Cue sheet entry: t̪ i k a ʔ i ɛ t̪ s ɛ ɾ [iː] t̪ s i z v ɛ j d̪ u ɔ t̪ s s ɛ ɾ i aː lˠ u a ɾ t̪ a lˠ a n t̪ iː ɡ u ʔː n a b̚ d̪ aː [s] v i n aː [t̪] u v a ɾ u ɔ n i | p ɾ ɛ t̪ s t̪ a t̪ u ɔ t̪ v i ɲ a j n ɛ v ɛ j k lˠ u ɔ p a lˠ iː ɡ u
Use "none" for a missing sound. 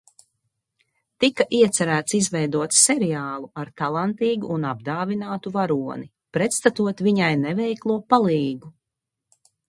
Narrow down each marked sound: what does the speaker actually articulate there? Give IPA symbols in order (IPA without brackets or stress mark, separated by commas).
æː, none, t̪